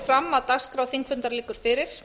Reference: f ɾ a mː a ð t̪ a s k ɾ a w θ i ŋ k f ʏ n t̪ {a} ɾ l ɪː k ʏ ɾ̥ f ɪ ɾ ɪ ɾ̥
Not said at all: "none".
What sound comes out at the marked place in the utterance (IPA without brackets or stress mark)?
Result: a